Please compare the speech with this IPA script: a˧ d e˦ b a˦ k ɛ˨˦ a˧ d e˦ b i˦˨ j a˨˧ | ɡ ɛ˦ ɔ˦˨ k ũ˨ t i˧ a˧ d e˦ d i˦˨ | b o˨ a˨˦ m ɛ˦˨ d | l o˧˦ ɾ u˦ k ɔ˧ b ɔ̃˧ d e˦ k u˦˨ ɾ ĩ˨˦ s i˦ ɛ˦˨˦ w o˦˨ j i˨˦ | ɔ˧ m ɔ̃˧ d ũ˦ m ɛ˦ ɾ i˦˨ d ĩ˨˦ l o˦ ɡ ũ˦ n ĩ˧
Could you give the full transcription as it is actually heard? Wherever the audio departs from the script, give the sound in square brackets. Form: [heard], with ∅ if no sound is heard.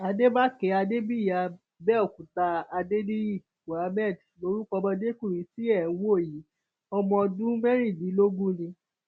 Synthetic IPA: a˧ d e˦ b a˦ k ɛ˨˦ a˧ d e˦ b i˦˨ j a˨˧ | [b] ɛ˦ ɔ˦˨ k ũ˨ t [a˧] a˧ d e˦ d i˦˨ | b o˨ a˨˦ m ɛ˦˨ d | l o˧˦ ɾ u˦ k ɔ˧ b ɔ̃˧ d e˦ k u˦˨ ɾ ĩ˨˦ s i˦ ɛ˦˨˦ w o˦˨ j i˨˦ | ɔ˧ m ɔ̃˧ d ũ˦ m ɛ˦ ɾ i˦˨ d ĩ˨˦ l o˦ ɡ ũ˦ n ĩ˧